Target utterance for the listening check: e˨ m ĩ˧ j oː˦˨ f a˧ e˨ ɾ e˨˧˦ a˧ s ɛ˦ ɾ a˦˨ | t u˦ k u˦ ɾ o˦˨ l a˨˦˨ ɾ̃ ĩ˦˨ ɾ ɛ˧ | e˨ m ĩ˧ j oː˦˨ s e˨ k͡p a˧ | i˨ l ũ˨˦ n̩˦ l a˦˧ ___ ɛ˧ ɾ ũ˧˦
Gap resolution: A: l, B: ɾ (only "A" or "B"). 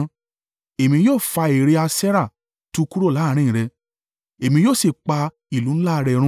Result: B